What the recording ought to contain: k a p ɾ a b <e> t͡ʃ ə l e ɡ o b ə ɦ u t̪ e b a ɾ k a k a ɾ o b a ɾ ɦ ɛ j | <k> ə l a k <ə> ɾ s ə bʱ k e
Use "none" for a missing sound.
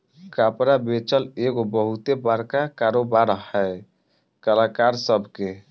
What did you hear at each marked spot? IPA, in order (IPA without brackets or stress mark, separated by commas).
e, k, a